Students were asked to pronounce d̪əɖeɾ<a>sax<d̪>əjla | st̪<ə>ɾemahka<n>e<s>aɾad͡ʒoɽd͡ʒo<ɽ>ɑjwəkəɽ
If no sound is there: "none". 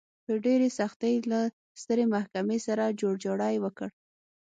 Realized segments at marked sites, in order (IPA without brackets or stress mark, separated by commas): e, t̪, ə, m, s, ɽ